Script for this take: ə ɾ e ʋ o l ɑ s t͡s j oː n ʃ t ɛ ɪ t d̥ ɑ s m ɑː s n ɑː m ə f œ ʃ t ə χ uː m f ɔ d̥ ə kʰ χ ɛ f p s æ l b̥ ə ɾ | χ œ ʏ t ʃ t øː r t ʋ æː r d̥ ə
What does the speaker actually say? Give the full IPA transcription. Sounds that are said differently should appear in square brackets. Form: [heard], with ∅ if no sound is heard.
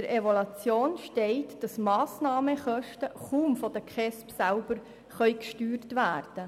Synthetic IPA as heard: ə ɾ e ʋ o l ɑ [∅] t͡s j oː n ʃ t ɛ ɪ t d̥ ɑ s m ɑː s n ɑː m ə [χ] œ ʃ t ə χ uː m f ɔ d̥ ə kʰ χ ɛ [s] p s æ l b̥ ə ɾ | χ œ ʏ [k] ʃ t [yː] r t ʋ æː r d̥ ə